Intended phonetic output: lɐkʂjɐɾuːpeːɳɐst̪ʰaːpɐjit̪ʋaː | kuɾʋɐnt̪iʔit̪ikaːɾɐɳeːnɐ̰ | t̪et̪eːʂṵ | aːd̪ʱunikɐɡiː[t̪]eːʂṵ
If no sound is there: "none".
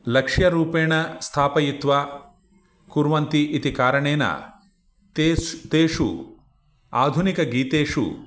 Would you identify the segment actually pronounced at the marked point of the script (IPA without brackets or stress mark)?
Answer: t̪